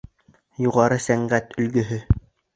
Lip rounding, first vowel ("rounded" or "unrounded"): rounded